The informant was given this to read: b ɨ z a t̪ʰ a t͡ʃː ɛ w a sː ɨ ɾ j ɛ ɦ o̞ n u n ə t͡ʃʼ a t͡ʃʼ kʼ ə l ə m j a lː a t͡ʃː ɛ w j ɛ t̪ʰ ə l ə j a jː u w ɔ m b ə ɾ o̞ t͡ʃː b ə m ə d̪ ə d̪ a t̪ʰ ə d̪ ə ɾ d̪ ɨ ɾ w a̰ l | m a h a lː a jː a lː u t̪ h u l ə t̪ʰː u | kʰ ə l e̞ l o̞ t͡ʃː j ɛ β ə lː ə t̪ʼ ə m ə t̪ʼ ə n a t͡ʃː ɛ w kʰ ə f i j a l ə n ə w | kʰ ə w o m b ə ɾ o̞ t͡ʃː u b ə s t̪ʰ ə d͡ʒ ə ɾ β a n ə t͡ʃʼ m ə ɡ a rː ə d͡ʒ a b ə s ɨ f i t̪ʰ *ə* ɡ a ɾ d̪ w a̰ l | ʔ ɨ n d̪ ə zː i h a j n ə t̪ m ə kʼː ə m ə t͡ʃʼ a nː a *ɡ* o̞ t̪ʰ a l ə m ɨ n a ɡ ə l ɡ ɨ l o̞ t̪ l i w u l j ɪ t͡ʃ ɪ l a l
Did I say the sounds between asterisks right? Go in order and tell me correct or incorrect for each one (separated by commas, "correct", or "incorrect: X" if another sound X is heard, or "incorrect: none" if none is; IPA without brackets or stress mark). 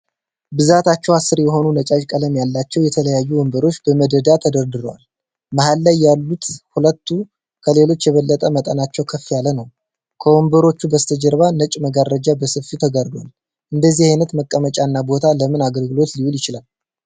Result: correct, incorrect: b